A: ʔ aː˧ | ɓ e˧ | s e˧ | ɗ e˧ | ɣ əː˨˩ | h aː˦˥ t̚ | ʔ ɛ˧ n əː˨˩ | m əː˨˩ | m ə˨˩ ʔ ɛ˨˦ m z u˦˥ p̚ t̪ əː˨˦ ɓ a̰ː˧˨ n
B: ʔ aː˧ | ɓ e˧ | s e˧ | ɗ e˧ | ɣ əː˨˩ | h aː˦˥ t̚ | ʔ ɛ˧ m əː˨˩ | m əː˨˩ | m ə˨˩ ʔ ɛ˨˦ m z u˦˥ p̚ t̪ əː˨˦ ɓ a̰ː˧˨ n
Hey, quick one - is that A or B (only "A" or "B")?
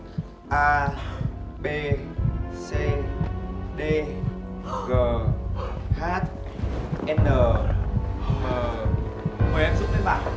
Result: A